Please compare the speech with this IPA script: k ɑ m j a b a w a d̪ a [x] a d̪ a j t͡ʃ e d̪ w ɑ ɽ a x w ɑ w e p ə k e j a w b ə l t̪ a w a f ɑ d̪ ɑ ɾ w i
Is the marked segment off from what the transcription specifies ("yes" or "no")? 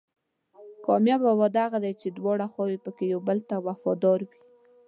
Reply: yes